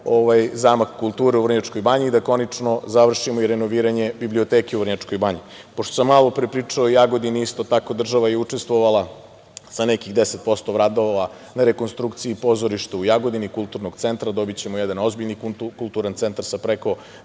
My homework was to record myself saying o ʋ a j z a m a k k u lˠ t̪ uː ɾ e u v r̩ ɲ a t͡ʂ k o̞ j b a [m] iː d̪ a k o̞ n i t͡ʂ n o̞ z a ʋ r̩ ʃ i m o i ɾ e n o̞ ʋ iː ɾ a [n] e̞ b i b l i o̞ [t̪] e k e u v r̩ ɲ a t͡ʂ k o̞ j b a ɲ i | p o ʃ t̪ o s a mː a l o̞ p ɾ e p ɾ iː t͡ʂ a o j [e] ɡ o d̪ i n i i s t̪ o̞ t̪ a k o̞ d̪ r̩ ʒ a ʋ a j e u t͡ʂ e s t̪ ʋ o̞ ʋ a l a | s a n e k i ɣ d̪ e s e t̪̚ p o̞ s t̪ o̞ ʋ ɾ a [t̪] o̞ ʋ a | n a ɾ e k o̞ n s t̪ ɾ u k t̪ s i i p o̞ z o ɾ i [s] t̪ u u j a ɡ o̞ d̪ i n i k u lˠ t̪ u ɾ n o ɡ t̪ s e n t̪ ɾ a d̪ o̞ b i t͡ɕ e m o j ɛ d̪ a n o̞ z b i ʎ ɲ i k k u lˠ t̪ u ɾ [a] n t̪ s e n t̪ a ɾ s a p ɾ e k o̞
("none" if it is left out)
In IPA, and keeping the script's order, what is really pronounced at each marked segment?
ɲ, ɲ, t̪, a, d̪, ʃ, a

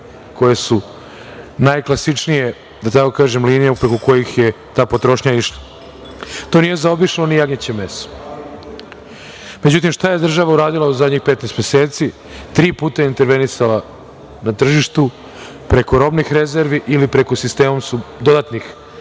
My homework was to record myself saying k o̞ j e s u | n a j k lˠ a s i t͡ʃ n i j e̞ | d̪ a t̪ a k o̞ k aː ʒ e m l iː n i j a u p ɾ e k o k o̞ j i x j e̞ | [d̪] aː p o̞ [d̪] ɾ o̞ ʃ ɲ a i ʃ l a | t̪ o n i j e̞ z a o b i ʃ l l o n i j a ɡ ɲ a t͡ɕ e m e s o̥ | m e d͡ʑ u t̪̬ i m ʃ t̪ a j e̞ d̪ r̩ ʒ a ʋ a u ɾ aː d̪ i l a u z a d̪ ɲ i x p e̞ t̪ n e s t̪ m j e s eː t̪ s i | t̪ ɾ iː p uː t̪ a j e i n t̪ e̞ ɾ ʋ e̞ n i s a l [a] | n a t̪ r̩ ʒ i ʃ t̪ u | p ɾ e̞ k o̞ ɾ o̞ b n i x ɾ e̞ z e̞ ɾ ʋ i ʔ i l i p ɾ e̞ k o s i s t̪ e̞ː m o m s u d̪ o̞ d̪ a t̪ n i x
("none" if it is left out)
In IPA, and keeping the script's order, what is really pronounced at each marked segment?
t̪, t̪, a

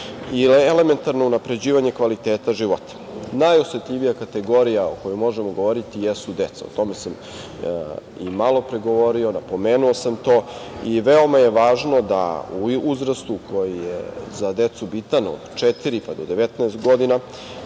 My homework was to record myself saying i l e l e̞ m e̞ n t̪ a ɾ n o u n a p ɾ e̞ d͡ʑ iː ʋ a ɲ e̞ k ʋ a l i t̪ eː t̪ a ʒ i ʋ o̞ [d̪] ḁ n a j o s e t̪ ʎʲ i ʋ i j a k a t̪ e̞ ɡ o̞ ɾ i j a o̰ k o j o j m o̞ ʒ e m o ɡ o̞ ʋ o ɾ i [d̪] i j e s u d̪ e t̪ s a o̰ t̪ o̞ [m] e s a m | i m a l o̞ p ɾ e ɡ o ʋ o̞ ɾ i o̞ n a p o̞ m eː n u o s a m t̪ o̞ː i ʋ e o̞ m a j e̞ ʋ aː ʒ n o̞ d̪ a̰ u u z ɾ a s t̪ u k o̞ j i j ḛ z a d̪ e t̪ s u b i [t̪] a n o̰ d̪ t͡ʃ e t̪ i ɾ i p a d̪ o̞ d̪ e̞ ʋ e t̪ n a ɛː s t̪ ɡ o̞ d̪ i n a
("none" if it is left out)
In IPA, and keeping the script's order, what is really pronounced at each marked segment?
t̪, t̪, m, t̪

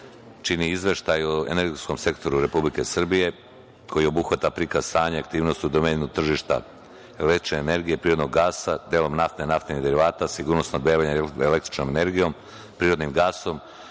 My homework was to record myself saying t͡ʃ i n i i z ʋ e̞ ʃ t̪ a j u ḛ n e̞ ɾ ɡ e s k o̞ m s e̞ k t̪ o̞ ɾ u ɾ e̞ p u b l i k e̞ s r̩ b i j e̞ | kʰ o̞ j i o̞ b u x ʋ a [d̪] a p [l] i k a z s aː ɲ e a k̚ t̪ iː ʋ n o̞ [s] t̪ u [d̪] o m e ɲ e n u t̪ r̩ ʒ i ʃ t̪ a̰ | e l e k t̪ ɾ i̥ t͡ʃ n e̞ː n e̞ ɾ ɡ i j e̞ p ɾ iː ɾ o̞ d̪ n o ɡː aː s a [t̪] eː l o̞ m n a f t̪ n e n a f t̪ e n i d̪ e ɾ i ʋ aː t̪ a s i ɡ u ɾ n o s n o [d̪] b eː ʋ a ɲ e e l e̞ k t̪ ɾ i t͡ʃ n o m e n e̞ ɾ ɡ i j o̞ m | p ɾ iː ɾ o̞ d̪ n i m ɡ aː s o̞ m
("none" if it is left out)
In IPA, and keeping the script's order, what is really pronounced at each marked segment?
t̪, ɾ, s, d̪, d̪, d̪

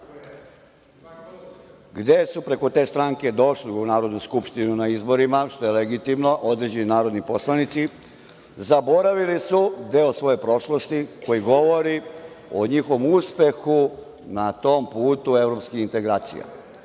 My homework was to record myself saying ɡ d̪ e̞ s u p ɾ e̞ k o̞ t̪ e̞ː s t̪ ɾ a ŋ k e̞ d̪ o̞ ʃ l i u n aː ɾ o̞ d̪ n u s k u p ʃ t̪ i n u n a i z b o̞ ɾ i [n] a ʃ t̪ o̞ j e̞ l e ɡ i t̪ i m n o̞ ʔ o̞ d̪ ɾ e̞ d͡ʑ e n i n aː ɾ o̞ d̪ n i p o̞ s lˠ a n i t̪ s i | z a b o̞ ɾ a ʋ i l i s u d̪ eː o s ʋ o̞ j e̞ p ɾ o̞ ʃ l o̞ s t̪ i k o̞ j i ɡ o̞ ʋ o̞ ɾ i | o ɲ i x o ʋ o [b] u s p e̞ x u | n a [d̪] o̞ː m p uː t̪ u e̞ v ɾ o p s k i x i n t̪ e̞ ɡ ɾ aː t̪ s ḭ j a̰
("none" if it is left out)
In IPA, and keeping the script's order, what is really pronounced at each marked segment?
m, m, t̪

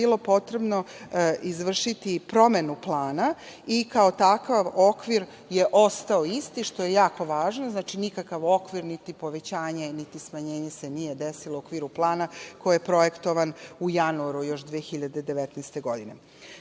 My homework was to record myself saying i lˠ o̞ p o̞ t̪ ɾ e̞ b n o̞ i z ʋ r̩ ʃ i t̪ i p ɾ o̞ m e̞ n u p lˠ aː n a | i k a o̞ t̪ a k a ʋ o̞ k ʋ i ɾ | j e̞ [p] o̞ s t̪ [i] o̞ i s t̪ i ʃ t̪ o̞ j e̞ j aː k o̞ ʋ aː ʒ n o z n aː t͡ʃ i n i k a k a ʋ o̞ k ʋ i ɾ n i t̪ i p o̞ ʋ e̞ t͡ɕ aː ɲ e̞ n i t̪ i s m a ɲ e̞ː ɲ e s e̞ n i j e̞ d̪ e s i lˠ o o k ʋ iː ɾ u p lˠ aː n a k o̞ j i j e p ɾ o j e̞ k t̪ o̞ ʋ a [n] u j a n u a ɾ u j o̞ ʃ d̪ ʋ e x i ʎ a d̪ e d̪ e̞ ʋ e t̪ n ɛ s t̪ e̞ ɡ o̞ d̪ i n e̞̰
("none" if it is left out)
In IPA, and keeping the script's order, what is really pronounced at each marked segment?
ʔ, a, n

